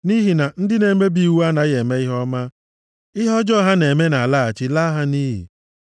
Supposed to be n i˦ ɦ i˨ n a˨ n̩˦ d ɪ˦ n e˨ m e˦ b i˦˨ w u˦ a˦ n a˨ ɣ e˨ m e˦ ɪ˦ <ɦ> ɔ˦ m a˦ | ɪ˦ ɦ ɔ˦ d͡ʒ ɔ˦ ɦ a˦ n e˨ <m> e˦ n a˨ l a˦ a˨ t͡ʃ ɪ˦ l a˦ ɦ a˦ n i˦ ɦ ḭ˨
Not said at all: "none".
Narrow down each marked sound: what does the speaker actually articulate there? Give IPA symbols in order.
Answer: ɦ, m

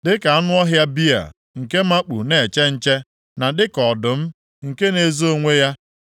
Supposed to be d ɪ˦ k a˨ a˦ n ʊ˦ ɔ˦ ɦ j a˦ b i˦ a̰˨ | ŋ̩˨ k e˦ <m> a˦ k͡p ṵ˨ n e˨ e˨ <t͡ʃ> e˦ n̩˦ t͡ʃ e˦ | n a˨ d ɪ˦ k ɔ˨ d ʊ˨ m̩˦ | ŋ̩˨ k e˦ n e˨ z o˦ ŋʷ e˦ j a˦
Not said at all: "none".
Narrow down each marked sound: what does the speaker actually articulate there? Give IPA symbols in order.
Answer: m, t͡ʃ

